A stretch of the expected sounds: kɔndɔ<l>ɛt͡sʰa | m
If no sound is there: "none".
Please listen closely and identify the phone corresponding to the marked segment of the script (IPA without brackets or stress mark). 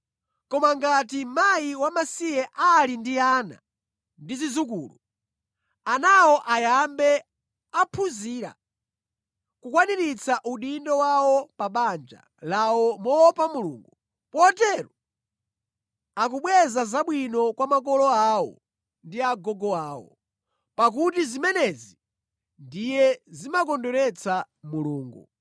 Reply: ɾ